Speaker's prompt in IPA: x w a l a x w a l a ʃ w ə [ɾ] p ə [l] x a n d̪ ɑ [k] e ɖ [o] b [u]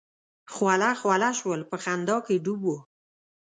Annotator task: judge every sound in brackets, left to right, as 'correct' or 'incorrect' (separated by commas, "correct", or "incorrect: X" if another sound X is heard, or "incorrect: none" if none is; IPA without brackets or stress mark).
incorrect: l, incorrect: none, correct, incorrect: u, incorrect: o